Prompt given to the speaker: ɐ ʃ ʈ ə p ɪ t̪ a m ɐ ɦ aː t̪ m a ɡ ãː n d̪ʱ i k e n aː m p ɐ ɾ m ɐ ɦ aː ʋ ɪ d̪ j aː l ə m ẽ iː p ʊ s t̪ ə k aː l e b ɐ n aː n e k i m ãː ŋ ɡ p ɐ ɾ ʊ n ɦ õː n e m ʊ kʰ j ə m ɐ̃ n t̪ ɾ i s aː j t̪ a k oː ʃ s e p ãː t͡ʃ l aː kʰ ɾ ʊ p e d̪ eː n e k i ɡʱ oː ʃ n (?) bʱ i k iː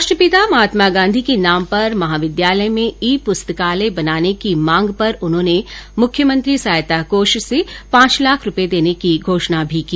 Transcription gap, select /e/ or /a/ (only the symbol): a